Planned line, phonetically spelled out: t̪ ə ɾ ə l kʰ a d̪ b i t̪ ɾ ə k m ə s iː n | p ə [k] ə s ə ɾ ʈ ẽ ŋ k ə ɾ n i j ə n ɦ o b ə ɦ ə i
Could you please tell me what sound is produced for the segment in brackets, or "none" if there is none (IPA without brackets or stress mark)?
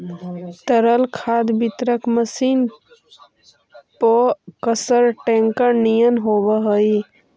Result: k